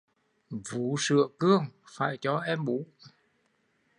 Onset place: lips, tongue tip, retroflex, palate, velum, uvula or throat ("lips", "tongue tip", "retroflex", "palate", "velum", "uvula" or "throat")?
lips